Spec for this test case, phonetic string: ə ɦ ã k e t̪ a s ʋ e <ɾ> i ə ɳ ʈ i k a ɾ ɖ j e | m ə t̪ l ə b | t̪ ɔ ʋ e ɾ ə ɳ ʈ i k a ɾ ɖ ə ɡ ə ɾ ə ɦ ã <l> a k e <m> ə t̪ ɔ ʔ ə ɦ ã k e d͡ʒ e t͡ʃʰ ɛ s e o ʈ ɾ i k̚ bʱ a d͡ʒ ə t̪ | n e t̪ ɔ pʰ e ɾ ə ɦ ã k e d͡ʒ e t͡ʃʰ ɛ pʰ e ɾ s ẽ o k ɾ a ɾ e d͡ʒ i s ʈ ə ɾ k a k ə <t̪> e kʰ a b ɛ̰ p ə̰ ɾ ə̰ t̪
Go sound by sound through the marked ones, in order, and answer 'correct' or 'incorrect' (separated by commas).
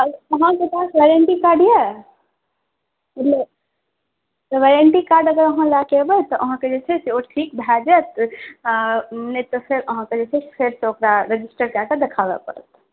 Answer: correct, correct, incorrect, incorrect